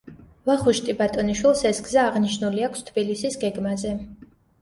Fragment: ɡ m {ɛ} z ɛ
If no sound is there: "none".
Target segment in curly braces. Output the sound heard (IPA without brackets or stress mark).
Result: a